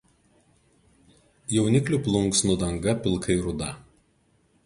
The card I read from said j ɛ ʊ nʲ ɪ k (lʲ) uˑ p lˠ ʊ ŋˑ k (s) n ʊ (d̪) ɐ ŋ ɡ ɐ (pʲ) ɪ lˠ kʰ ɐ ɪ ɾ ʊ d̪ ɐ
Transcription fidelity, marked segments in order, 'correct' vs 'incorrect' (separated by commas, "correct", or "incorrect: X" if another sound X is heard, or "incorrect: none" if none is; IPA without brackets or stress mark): correct, correct, correct, correct